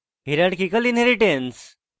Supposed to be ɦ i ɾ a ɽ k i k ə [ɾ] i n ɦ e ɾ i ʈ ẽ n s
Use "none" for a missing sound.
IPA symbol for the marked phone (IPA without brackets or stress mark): l